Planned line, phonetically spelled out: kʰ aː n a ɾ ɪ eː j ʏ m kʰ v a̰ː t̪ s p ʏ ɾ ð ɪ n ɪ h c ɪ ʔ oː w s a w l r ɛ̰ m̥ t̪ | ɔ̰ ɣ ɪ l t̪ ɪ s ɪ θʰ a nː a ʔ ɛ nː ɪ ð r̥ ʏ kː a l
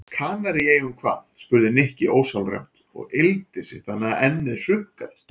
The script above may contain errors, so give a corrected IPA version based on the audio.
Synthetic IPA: kʰ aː n a ɾ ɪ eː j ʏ m kʰ v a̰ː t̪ s p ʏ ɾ ð ɪ n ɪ h c ɪ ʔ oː w s a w l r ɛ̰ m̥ t̪ | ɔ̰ ɣ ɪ l t̪ ɪ s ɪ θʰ a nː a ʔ ɛ nː ɪ ð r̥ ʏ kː a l

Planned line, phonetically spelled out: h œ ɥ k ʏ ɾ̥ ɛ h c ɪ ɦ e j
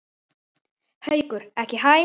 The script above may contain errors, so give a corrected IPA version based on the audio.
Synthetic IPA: h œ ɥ k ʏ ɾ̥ ɛ h c ɪ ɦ a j

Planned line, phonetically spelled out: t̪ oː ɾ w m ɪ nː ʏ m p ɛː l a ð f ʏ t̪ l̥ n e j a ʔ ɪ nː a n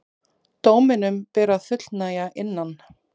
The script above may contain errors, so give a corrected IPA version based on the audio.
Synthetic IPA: t̪ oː w m ɪ n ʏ m p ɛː ɾ a ð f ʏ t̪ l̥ n a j a ʔ ɪ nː a n

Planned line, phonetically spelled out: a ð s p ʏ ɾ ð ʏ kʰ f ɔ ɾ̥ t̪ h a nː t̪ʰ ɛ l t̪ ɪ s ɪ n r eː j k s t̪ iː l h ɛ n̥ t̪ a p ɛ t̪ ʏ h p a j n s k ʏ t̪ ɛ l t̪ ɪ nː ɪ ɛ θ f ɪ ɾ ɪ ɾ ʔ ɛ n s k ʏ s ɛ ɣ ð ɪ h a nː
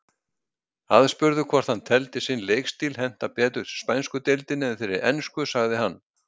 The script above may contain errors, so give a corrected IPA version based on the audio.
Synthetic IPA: a ð s p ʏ ɾ ð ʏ kʰ v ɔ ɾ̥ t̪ h a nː t̪ʰ ɛ l t̪ ɪ s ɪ n l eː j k s t̪ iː l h ɛ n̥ t̪ a p ɛː t̪ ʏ s p a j n s k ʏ t̪ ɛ l t̪ ɪ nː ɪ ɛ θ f ɪ ɾ ɪ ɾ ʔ ɛ n s k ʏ s a ɣ ð ɪ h a nː

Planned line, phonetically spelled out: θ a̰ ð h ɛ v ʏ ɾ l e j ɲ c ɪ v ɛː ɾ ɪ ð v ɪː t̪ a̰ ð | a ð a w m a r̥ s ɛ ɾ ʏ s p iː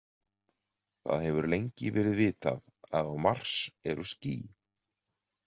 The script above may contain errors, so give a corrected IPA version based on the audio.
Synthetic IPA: θ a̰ ð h ɛ v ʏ ɾ l e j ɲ c ɪ v ɛː ɾ ɪ ð v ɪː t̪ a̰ ð | a ð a w m a r̥ s ɛ ɾ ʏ s c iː

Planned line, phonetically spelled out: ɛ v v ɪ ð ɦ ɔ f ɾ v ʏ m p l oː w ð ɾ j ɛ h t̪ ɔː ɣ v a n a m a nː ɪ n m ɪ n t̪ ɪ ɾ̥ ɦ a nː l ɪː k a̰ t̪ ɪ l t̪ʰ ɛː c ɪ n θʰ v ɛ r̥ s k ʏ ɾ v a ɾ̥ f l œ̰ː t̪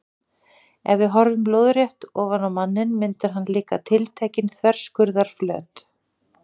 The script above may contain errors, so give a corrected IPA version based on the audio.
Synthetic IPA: ɛ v v ɪ ð ɦ ɔ ɾ v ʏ m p l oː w ð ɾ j ɛ h t̪ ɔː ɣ v a n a m a nː ɪ n m ɪ n t̪ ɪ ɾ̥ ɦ a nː l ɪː k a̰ t̪ʰ ɪ l t̪ʰ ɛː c ɪ n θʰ v ɛ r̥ s k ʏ ɾ ð a ɾ̥ f l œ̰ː t̪

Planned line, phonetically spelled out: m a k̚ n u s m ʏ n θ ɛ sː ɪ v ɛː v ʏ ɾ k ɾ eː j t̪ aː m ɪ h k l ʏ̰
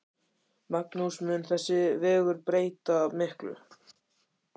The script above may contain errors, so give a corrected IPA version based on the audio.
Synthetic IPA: m a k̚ n u s m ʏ n θ ɛ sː ɪ v ɛː ɣ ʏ ɾ p ɾ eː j t̪ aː m ɪ h k l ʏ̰

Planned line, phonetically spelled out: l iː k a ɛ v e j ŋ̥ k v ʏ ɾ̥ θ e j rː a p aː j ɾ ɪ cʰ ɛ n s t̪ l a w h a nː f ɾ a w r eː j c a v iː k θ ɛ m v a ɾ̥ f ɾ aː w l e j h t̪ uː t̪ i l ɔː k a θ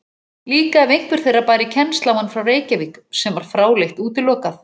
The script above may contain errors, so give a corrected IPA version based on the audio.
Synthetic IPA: l iː k a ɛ v e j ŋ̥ k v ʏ ɾ̥ θ e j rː a p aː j ɾ ɪ cʰ ɛ n s t̪ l a w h a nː f ɾ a w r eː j c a v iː k s ɛ m v a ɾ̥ f ɾ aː w l e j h t̪ uː t̪ ɪ l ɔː k a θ

